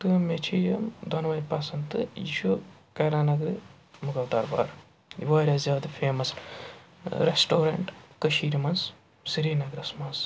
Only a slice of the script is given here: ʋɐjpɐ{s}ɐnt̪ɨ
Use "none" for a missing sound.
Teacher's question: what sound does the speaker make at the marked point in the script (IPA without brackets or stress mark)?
s